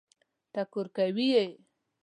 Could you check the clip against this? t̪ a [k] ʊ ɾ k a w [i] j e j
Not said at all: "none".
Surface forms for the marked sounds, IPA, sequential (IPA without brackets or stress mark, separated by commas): k, i